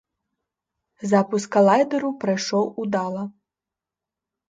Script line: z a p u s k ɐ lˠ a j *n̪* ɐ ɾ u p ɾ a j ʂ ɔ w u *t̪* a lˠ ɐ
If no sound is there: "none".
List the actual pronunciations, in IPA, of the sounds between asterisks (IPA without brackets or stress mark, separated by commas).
d̪, d̪